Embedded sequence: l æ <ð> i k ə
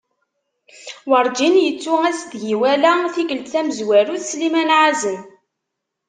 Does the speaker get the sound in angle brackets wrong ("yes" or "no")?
yes